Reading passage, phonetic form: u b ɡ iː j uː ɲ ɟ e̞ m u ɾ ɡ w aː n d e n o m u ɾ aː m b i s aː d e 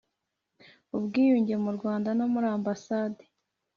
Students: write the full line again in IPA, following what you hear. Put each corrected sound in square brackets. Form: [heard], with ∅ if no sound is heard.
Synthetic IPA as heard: u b ɡ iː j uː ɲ ɟ e̞ m u ɾ ɡ w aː n d [a] n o m u ɾ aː m b [a] s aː d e